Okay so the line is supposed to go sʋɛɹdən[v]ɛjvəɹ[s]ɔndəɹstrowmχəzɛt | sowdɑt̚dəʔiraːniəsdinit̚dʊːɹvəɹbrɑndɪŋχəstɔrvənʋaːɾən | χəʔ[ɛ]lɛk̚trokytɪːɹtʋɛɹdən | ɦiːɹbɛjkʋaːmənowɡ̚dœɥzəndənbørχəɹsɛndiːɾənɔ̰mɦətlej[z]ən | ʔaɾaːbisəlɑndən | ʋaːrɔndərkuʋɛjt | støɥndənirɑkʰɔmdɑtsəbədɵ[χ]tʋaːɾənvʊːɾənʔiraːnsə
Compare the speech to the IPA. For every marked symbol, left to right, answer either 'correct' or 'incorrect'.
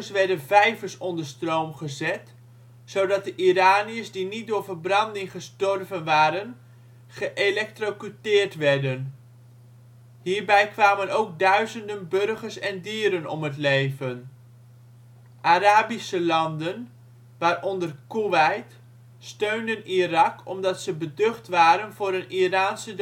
correct, correct, incorrect, incorrect, correct

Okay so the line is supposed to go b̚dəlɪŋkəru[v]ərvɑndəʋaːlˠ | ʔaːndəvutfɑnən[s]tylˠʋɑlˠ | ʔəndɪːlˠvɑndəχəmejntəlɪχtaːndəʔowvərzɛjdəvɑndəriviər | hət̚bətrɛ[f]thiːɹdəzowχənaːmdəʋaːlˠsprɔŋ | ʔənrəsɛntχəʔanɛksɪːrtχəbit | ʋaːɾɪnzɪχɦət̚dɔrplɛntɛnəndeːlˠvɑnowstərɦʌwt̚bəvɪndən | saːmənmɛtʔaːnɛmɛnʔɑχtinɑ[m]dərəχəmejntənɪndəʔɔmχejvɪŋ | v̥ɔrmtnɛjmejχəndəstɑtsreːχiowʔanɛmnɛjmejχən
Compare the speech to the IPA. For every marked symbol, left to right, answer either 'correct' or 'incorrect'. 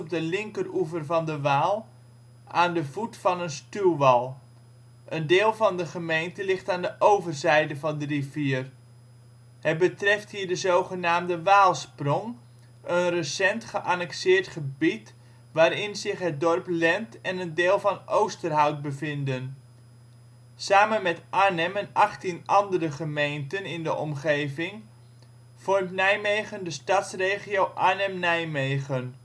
correct, correct, correct, incorrect

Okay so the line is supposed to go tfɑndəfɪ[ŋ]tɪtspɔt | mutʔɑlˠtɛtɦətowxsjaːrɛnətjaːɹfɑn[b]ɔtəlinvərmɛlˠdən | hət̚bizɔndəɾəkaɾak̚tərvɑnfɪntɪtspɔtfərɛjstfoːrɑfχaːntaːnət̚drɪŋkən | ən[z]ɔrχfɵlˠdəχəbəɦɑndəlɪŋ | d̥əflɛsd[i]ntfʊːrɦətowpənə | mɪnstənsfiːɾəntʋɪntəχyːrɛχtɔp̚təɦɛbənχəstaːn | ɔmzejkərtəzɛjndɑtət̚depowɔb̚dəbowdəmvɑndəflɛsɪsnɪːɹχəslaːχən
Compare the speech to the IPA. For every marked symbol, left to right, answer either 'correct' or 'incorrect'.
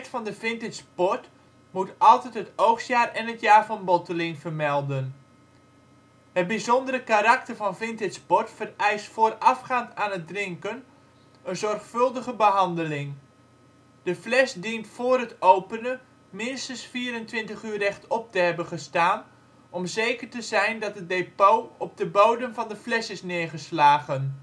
incorrect, correct, correct, correct

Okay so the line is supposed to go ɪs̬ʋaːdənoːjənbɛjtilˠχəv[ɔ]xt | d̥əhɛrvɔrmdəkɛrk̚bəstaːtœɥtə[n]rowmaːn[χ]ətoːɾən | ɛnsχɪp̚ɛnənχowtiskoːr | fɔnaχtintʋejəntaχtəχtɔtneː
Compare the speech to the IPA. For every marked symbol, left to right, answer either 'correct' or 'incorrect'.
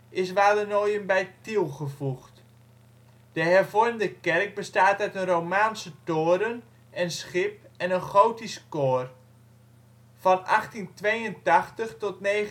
incorrect, correct, incorrect

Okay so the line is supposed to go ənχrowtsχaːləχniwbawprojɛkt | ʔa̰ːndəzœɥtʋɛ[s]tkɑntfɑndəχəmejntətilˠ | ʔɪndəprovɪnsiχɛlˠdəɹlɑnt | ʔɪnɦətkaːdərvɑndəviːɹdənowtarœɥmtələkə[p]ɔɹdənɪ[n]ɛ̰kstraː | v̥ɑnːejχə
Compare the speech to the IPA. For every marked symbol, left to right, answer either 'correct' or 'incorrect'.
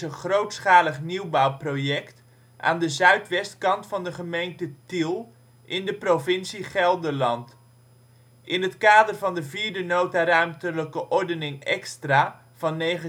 correct, incorrect, incorrect

